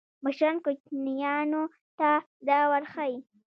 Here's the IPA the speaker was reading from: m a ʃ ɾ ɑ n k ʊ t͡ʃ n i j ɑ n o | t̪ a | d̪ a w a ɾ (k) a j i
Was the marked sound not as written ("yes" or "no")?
yes